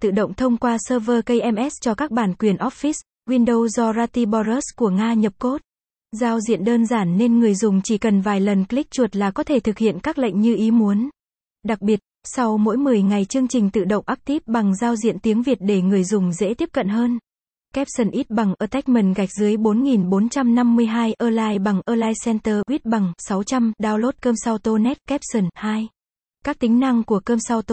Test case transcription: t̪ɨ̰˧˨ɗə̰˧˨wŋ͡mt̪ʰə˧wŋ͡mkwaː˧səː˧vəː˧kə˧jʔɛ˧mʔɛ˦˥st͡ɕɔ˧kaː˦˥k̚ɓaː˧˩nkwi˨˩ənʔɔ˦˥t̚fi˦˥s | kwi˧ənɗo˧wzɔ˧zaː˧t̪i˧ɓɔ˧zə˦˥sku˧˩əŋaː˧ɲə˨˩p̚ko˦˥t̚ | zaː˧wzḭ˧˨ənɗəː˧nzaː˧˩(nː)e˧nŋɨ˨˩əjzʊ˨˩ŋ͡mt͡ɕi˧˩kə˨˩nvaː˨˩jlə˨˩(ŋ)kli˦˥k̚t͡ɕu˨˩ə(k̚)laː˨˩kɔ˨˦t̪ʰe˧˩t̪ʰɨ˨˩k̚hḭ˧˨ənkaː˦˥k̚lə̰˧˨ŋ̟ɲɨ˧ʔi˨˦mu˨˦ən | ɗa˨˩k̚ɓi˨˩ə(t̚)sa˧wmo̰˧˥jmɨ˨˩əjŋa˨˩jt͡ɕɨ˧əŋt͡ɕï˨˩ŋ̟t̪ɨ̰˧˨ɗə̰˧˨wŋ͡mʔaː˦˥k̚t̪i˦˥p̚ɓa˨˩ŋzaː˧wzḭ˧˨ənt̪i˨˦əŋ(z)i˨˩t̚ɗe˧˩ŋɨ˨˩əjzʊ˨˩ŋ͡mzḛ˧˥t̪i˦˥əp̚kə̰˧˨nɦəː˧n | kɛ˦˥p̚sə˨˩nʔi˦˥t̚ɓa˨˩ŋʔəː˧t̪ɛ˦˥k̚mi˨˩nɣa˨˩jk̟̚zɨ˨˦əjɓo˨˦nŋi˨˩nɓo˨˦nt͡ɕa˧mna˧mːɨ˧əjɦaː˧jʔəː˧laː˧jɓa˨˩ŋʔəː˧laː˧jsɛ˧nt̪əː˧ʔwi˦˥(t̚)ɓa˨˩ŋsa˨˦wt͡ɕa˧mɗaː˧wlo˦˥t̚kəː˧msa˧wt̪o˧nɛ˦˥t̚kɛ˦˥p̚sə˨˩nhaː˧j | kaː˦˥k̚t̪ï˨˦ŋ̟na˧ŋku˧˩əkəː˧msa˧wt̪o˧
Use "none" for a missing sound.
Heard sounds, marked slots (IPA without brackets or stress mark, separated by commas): nː, n, t̚, t̚, v, t̚